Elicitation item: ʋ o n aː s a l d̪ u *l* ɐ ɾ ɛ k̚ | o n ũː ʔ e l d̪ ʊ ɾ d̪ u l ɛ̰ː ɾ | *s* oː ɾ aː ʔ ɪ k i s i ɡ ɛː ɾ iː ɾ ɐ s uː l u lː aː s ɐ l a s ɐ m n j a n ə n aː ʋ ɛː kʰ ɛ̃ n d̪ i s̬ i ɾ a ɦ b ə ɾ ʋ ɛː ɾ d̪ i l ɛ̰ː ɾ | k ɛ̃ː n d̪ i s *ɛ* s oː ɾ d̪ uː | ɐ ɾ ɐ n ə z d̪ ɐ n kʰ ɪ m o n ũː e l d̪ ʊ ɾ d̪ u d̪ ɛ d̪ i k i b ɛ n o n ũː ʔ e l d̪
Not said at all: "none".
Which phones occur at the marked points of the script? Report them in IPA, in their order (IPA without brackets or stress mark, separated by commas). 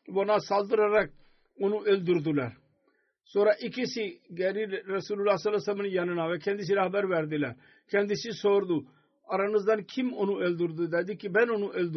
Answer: ɾ, s, i